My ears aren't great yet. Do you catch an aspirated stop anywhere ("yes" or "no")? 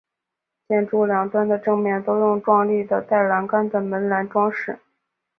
no